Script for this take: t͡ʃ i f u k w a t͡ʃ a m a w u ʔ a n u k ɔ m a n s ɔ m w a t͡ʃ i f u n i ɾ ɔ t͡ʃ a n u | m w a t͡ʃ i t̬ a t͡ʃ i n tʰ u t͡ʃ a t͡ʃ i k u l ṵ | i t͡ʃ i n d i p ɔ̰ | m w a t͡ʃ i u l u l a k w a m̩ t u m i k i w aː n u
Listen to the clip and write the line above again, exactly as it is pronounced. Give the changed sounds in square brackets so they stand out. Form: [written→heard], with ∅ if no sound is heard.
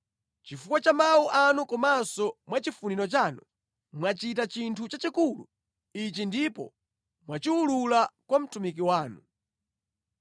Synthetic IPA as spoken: t͡ʃ i f u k w a t͡ʃ a m a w u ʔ a n u k ɔ m a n s ɔ m w a t͡ʃ i f u n i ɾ ɔ t͡ʃ a n u | m w a t͡ʃ i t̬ a t͡ʃ i n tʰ u t͡ʃ a t͡ʃ i k u l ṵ | i t͡ʃ i n d i p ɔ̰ | m w a t͡ʃ i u l u l a k w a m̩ t u m i k i w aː n u